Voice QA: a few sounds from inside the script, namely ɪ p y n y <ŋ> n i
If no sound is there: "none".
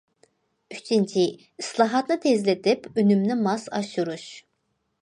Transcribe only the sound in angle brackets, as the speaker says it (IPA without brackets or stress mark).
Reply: m